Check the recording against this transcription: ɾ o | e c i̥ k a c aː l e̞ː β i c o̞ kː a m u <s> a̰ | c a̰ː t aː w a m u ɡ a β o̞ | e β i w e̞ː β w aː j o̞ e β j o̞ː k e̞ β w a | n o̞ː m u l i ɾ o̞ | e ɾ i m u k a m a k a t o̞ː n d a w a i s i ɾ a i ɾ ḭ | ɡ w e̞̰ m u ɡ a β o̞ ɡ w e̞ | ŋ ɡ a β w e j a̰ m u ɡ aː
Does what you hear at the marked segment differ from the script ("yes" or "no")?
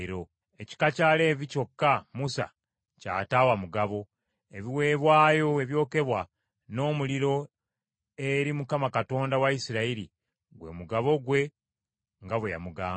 no